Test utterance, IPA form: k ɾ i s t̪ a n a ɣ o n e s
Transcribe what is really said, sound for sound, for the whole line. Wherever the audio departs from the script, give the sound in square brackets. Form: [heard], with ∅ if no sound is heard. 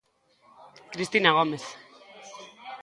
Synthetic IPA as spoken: k ɾ i s t̪ [i] n a ɣ o [m] e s